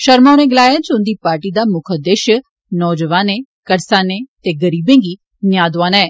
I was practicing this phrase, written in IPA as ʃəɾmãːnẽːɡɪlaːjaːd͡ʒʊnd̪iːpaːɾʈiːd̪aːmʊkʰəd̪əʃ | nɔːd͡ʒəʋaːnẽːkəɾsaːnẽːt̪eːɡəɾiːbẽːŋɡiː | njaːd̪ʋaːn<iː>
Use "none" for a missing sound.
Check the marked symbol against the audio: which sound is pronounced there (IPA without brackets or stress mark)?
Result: ɛː